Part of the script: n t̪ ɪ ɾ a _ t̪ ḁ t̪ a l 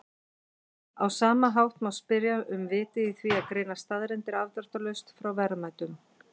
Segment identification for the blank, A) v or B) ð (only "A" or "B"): A